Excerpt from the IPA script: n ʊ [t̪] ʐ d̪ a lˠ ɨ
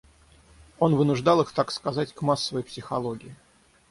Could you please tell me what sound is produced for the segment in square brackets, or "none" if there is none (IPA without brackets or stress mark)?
none